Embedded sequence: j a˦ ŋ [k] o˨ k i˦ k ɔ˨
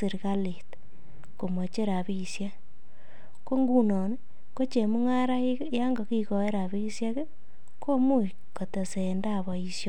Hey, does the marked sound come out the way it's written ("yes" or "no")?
no